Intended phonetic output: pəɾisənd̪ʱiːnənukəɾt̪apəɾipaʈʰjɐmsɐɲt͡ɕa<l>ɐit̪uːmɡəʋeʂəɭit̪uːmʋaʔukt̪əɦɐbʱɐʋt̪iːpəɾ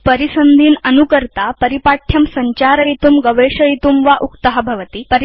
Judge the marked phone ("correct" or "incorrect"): incorrect